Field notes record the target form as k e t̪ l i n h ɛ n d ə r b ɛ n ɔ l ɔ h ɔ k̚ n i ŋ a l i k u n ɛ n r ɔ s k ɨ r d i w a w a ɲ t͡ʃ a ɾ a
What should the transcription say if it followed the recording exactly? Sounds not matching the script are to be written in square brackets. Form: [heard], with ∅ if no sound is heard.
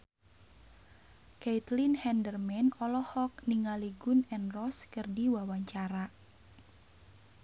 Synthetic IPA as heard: k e t̪ l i n h ɛ n d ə r [m] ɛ n ɔ l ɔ h ɔ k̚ n i ŋ a l i [ɡ] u n ɛ n r ɔ s k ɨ r d i w a w a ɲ t͡ʃ a ɾ a